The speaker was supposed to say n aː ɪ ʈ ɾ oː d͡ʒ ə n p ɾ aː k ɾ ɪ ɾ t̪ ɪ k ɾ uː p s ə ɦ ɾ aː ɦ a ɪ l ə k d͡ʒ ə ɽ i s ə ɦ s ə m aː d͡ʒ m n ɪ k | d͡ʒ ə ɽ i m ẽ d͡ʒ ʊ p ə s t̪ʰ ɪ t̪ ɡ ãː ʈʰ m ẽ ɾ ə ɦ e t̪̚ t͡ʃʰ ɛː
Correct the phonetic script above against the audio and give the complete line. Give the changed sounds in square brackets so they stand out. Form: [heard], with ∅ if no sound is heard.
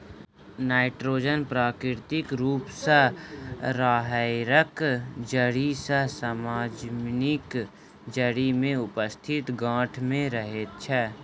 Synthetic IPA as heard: n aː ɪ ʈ ɾ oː d͡ʒ ə n p ɾ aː k ɾ ɪ ɾ t̪ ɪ k ɾ uː p s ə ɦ ɾ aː ɦ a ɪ [ɾ] ə k d͡ʒ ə ɽ i s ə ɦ s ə m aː d͡ʒ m n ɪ k | d͡ʒ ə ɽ i m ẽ [∅] ʊ p ə s t̪ʰ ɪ t̪ ɡ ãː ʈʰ m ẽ ɾ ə ɦ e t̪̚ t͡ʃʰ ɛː